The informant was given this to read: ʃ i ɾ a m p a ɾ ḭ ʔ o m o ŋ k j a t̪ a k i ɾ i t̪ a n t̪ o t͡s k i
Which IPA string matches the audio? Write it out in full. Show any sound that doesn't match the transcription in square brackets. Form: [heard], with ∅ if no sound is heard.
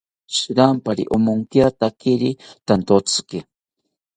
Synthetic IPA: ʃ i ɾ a m p a ɾ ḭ ʔ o m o ŋ k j a t̪ a k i ɾ i t̪ a n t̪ o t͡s k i